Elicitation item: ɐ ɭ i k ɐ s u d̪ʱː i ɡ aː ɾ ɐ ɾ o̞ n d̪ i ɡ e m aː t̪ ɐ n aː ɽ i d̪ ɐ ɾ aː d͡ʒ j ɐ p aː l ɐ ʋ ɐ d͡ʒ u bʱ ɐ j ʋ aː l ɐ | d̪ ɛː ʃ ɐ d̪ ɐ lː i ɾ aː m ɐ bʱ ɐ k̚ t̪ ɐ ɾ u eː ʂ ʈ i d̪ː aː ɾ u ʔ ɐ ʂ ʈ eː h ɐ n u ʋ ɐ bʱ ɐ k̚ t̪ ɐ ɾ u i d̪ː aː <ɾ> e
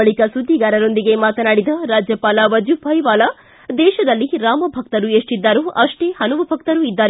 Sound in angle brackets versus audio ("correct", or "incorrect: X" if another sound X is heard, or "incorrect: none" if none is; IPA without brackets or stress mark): correct